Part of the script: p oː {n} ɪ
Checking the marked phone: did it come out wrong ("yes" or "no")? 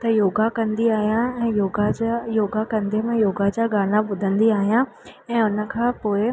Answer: yes